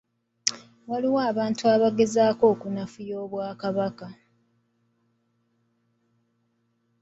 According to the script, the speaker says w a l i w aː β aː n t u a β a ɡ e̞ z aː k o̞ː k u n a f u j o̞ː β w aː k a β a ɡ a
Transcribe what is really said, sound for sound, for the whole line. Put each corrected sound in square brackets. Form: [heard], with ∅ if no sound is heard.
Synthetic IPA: w a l i w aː β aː n t u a β a ɡ e̞ z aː k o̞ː k u n a f u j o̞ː β w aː k a β a [k] a